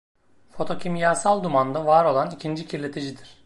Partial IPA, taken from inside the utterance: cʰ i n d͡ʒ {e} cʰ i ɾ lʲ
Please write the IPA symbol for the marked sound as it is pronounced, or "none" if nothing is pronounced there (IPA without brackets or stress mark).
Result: i